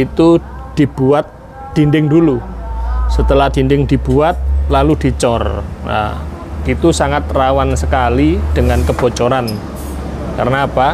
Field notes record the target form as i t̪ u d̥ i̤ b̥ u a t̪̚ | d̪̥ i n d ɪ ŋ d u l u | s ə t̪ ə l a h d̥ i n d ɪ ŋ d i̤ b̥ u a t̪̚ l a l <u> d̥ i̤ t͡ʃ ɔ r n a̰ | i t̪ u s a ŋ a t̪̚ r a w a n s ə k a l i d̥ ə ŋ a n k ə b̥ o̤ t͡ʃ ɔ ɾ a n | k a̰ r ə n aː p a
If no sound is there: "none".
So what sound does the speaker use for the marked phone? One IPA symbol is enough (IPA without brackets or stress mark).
u